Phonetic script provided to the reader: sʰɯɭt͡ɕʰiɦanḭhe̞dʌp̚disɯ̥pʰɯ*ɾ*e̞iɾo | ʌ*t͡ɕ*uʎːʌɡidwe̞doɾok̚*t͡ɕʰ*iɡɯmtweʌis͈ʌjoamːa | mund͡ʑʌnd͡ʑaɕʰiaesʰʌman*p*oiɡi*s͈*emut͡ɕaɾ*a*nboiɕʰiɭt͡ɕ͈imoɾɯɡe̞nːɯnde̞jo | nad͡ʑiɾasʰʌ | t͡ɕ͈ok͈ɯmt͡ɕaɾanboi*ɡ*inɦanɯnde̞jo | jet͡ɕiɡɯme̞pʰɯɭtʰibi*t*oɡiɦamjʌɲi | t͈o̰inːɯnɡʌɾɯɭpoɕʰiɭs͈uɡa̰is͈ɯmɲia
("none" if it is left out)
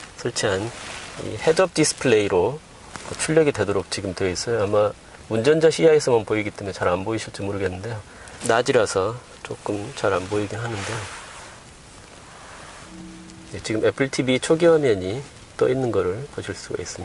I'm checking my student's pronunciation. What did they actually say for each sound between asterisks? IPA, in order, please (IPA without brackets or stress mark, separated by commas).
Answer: ɭ, t͡ɕʰ, t͡ɕ, p, t͈, a, ɡ, t͡ɕʰ